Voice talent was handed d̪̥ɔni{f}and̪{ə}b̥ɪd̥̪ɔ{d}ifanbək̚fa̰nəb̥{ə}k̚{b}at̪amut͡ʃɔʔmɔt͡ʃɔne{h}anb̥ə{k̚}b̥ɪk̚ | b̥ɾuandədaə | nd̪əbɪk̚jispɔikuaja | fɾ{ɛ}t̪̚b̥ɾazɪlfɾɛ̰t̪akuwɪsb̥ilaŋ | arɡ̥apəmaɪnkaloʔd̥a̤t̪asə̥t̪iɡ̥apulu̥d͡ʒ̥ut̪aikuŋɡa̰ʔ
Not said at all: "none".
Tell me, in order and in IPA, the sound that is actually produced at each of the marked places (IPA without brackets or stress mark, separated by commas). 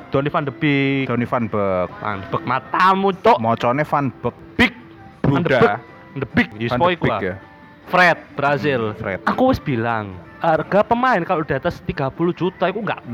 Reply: f, ə, n, ə, m, f, k̚, ɛ